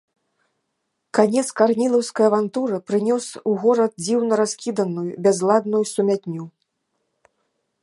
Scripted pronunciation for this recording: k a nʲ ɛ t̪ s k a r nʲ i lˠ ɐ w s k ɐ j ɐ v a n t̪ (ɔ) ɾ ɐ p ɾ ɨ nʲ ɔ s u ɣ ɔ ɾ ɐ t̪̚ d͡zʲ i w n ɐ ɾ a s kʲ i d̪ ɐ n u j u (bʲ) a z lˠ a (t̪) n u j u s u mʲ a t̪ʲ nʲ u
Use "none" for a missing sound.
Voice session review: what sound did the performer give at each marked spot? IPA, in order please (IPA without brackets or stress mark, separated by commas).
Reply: u, bʲ, d̪